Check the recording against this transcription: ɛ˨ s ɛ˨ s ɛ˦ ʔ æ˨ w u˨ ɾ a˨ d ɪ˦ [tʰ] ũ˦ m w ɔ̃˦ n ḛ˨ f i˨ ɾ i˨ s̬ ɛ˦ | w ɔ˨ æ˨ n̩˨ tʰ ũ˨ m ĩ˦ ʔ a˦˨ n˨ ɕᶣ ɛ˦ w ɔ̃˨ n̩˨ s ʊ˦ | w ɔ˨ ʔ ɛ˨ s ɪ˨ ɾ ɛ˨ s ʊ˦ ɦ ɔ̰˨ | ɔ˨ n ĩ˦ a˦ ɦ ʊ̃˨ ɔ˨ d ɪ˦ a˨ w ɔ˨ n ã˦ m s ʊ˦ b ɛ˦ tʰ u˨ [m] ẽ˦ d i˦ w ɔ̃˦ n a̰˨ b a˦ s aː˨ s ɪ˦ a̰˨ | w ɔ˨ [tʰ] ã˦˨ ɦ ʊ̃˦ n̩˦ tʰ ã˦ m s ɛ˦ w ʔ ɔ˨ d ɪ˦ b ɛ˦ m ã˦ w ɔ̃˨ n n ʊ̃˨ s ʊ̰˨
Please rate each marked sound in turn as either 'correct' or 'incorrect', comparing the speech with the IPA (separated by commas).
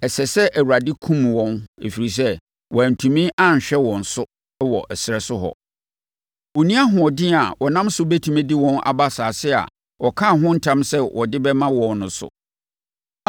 incorrect, correct, incorrect